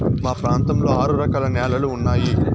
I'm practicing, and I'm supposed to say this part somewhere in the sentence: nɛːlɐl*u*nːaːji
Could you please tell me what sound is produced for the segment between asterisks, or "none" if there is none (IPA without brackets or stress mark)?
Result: uː